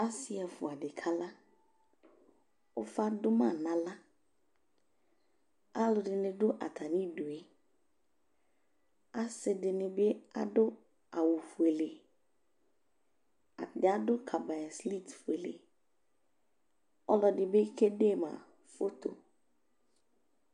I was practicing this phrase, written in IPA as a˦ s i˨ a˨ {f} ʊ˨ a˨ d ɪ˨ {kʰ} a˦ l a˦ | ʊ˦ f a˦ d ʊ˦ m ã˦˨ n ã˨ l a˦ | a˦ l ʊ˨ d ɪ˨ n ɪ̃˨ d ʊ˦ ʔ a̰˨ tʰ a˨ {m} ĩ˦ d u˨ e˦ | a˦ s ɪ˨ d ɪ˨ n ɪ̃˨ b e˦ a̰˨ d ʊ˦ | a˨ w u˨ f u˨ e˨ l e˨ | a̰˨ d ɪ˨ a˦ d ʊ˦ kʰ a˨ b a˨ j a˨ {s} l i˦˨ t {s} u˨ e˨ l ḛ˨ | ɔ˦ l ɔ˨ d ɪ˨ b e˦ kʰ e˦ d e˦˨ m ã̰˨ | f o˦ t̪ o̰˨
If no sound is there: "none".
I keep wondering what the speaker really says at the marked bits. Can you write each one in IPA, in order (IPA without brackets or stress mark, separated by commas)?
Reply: f, kʰ, n, s, f